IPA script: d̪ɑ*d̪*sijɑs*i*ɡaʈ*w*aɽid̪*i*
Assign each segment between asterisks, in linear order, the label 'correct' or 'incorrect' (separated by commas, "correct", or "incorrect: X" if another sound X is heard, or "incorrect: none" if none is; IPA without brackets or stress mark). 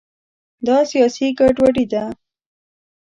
incorrect: none, correct, correct, incorrect: a